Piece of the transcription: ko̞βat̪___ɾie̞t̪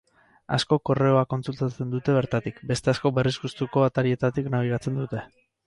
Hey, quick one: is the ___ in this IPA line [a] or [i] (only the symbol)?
a